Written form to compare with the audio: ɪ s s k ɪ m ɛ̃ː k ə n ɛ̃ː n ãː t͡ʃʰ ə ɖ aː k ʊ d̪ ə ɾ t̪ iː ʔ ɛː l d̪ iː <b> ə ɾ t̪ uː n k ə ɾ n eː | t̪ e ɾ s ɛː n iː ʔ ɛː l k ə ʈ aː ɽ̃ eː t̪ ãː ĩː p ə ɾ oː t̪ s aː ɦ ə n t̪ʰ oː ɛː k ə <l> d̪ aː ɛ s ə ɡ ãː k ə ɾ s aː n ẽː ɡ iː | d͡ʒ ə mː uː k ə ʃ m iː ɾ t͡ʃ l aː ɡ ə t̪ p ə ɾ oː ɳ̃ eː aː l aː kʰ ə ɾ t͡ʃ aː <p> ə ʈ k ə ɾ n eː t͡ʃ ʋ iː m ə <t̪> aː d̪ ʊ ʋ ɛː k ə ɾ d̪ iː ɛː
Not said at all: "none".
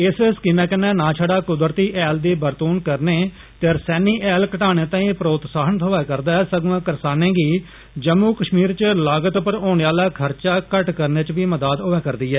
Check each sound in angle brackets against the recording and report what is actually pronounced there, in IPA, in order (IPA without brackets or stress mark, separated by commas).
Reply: b, ɾ, k, d̪